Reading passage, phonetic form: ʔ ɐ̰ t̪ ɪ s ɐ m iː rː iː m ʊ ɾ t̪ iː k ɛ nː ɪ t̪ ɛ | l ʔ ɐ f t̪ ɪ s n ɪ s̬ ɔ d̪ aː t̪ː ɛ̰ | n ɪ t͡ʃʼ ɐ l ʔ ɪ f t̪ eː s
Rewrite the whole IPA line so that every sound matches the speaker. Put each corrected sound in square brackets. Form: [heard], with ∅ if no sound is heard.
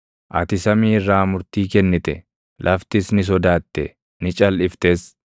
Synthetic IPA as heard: ʔ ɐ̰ t̪ ɪ s ɐ m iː rː [aː] m ʊ ɾ t̪ iː k ɛ nː ɪ t̪ ɛ | l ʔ ɐ f t̪ ɪ s n ɪ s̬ ɔ d̪ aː t̪ː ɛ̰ | n ɪ t͡ʃʼ ɐ l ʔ ɪ f t̪ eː s